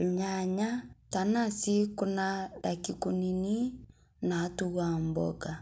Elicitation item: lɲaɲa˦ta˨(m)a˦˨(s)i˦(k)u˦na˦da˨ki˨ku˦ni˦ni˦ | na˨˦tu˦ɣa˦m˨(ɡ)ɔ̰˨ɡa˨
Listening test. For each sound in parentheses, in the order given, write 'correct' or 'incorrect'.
incorrect, correct, correct, incorrect

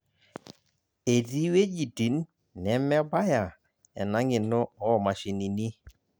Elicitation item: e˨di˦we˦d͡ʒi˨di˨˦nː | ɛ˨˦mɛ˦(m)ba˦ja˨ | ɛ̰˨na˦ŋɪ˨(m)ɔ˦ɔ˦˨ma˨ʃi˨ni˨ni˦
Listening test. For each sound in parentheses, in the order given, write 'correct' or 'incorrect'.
incorrect, incorrect

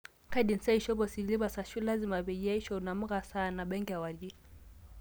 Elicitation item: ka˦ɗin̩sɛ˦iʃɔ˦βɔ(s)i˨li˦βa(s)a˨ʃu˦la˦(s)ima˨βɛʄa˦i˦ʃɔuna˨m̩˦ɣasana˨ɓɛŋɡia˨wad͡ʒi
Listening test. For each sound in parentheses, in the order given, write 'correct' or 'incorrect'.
correct, correct, incorrect

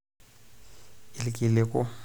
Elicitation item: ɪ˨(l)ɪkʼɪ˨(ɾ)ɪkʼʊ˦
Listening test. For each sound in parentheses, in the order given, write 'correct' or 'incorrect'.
correct, incorrect

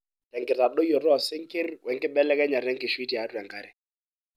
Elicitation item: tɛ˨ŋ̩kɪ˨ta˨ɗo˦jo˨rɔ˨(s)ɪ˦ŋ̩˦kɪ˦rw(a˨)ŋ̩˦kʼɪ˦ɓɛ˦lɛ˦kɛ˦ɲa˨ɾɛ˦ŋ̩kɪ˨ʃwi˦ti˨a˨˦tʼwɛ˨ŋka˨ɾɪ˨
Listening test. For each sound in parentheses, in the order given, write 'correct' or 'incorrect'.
correct, incorrect

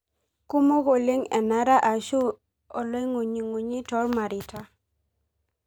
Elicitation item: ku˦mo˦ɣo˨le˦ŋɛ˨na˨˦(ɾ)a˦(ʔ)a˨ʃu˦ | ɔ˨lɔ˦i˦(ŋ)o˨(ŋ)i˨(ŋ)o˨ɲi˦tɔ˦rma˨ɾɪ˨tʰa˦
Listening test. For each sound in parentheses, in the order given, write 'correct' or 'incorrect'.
correct, correct, correct, incorrect, correct

